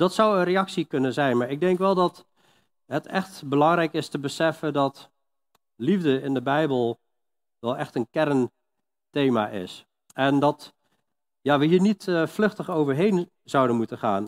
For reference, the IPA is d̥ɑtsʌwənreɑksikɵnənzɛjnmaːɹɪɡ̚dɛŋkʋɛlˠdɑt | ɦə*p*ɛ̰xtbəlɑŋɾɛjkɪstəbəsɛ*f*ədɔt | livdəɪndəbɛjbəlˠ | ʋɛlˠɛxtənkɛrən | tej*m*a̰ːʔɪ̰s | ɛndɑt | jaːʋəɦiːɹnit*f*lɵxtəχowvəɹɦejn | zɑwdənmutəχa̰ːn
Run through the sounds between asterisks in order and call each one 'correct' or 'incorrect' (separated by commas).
incorrect, correct, correct, correct